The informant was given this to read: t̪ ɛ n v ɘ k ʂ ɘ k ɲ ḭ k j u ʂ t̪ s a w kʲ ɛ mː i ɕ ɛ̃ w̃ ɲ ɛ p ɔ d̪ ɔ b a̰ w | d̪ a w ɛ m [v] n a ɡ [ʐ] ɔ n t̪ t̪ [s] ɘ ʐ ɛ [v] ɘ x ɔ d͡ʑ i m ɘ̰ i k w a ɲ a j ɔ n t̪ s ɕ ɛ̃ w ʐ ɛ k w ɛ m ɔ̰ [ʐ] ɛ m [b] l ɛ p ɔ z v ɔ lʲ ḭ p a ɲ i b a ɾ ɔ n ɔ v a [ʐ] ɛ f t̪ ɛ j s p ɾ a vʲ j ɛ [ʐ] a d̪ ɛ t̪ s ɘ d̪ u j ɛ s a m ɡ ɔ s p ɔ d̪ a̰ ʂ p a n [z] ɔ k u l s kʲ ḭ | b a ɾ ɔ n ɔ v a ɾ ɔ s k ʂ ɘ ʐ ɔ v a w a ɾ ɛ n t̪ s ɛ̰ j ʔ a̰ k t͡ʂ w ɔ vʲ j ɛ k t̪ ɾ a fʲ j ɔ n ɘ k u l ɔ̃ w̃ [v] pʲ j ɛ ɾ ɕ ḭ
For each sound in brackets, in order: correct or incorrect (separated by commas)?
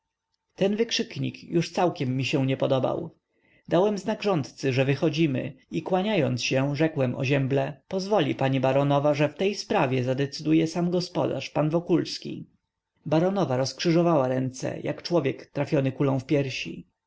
incorrect, correct, correct, correct, incorrect, correct, correct, incorrect, incorrect, incorrect